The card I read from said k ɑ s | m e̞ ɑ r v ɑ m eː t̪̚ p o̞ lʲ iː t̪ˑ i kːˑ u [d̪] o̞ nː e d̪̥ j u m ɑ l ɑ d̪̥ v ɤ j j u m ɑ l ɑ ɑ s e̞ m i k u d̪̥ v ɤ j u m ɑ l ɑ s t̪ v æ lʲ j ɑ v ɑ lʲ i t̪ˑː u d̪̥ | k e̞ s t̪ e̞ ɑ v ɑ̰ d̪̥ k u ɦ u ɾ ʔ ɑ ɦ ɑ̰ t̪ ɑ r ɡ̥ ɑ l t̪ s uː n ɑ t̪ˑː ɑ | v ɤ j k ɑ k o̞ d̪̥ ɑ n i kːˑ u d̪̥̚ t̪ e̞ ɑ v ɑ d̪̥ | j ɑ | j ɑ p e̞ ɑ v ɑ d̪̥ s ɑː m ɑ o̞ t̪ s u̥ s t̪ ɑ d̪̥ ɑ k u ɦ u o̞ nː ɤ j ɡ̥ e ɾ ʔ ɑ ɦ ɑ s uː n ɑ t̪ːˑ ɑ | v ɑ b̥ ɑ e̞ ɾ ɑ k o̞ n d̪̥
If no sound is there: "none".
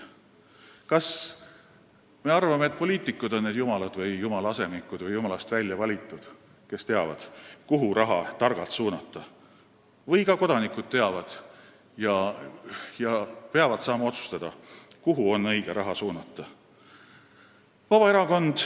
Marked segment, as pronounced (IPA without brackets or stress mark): d̪